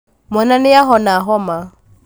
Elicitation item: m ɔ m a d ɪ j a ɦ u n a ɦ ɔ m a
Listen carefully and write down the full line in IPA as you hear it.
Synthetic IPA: m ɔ n a n ɪ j a ɦ ɔ n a ɦ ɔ m a